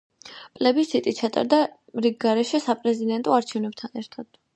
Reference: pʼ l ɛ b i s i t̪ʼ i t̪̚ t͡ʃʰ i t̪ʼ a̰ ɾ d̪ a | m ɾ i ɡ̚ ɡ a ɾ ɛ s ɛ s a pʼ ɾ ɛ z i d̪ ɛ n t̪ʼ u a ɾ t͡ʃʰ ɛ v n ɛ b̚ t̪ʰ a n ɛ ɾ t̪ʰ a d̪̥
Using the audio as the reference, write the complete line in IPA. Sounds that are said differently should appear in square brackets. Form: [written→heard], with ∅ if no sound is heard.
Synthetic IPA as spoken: pʼ l ɛ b i s i t̪ʼ i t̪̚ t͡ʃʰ [i→a] t̪ʼ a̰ ɾ d̪ a | m ɾ i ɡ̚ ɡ a ɾ ɛ [s→ʃ] ɛ s a pʼ ɾ ɛ z i d̪ ɛ n t̪ʼ [u→ɔ] a ɾ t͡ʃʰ ɛ v n ɛ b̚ t̪ʰ a n ɛ ɾ t̪ʰ a d̪̥